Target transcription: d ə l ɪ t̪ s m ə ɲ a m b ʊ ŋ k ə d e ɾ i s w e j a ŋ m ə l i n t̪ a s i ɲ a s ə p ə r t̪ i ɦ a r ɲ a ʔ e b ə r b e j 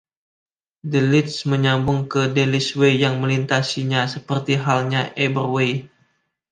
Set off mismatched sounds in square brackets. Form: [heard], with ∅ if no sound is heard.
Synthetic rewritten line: d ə l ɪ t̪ s m ə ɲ a m b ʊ ŋ k ə d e [l] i s w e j a ŋ m ə l i n t̪ a s i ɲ a s ə p ə r t̪ i ɦ a [l] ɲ a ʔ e b ə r [w] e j